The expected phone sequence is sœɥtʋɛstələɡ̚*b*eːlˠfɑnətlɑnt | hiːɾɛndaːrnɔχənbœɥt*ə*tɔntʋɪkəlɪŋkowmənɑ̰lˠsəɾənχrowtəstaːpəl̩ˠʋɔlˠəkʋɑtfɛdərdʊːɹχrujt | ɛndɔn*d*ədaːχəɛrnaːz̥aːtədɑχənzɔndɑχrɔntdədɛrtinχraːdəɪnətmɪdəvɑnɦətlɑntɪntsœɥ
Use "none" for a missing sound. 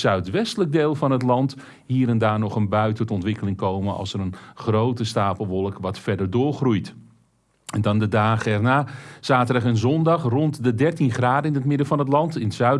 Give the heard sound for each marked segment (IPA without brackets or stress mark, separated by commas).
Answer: d, ə, d